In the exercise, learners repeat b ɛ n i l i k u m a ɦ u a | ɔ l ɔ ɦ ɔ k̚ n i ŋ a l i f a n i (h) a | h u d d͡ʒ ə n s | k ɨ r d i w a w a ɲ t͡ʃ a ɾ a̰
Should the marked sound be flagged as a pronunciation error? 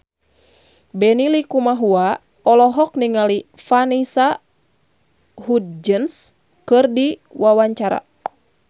yes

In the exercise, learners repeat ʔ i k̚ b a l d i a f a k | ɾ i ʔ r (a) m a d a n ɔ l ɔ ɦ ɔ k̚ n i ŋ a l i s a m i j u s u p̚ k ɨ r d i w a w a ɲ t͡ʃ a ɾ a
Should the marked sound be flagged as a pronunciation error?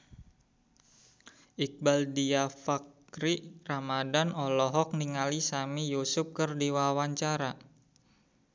no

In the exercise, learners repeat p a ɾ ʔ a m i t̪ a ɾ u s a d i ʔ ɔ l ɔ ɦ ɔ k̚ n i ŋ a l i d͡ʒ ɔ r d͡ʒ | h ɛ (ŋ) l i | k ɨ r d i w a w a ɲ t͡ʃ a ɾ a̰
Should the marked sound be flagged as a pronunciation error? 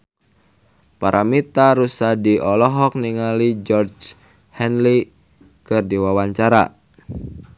yes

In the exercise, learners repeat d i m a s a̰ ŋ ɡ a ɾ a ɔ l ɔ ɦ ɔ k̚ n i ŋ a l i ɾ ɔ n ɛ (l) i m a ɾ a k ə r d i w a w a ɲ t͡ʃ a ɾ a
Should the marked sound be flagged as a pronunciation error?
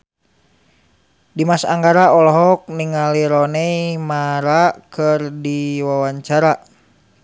yes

